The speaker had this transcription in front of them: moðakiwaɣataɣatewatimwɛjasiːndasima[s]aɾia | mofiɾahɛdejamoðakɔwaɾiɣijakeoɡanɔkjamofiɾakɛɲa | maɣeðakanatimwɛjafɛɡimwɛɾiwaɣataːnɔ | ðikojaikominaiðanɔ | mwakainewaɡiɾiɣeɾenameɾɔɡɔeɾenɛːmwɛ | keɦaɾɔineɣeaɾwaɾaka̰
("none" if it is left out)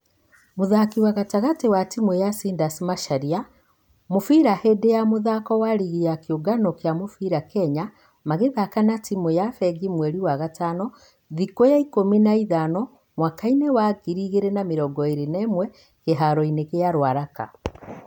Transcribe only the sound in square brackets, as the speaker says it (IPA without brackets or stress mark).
ʃ